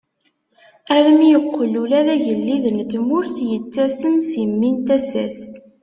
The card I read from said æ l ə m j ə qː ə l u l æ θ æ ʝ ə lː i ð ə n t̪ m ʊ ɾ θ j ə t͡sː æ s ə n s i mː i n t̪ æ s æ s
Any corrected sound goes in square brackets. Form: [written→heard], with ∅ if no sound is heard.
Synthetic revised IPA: æ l ə m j ə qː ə l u l æ [θ→ð] æ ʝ ə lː i ð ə n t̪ m ʊ ɾ θ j ə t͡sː æ s ə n s i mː i n t̪ æ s æ s